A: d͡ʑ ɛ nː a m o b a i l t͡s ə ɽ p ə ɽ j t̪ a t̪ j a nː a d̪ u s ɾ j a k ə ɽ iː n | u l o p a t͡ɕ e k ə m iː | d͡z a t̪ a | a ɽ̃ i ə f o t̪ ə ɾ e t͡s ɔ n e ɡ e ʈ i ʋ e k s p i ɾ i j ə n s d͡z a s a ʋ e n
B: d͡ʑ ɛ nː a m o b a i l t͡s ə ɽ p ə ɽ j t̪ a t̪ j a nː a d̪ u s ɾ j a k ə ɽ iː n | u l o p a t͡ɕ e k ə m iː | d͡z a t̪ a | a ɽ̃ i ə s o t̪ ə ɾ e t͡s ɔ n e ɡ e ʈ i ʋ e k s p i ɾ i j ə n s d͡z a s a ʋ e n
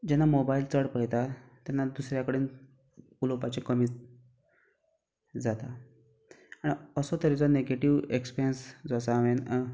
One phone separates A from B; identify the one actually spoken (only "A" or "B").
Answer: B